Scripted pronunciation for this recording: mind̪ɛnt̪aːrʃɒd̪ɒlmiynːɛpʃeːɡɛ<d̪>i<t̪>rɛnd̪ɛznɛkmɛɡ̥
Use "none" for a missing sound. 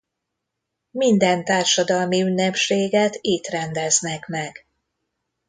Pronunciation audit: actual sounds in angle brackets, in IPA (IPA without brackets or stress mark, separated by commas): t̪, t̪